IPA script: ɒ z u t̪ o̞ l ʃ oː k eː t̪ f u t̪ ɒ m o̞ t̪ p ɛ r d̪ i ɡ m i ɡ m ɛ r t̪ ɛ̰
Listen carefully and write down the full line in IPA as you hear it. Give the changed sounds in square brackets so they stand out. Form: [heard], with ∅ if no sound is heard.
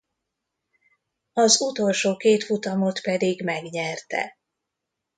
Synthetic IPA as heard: ɒ z u t̪ o̞ l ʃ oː k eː t̪ f u t̪ ɒ m o̞ t̪ p ɛ [∅] d̪ i ɡ m [ɛ] ɡ [ɲ] ɛ r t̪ ɛ̰